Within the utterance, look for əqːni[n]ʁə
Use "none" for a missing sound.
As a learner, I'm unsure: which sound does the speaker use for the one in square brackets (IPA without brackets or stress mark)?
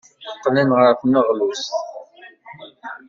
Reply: n